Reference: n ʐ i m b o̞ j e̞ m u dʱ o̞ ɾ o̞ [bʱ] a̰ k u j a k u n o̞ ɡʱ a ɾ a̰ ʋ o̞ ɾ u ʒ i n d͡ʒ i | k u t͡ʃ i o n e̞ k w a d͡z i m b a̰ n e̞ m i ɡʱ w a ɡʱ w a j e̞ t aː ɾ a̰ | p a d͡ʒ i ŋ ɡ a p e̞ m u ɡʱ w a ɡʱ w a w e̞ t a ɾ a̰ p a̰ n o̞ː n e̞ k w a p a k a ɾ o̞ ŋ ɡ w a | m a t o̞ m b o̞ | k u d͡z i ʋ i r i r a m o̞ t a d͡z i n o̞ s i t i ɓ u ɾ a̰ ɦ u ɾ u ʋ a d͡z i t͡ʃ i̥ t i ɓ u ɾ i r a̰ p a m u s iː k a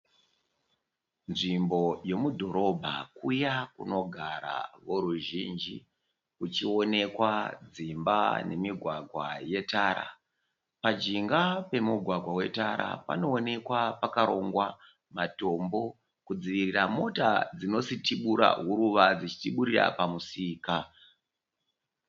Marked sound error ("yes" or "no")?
no